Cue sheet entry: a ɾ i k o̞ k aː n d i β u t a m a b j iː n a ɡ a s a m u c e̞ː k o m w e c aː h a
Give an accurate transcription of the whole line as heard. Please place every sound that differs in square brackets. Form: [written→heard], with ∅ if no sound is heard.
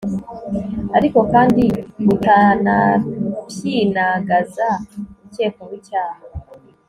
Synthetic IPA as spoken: a ɾ i k o̞ k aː n d i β u t a [m→n] a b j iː n a ɡ a [s→z] a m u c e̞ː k o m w [e→i] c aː h a